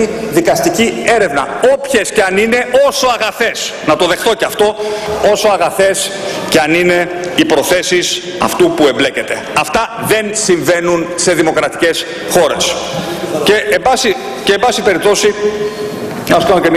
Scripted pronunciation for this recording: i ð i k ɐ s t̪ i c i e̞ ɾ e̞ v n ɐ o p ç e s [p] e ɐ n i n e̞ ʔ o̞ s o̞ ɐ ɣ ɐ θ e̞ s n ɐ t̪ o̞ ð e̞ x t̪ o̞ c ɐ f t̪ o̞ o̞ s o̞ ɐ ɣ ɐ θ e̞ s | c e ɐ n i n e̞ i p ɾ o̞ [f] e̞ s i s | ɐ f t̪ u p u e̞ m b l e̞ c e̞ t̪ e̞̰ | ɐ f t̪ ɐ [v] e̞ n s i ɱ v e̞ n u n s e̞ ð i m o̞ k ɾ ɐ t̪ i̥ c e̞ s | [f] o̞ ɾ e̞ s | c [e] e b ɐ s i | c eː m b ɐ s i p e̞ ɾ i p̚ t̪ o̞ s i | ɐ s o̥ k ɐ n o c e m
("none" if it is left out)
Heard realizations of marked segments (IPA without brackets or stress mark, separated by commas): c, θ, ð, x, e